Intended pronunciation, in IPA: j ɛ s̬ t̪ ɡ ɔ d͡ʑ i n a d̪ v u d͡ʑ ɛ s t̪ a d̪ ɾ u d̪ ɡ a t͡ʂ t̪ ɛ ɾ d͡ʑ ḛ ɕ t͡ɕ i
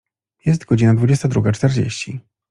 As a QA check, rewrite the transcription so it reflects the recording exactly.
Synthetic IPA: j ɛ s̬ t̪ ɡ ɔ d͡ʑ i n a d̪ v u d͡ʑ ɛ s t̪ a d̪ ɾ u ɡ a t͡ʂ t̪ ɛ ɾ d͡ʑ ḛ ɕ t͡ɕ i